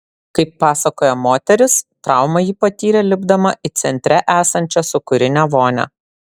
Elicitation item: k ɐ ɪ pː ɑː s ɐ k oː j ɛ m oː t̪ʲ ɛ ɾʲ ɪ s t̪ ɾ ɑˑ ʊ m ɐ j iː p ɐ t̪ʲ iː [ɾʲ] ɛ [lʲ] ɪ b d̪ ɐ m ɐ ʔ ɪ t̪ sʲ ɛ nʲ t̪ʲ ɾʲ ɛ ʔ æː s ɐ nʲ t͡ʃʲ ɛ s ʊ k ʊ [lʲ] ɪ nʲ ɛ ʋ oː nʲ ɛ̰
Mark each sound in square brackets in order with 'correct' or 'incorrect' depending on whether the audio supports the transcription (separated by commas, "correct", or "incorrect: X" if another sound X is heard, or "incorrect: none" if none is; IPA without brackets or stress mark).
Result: correct, correct, incorrect: ɾʲ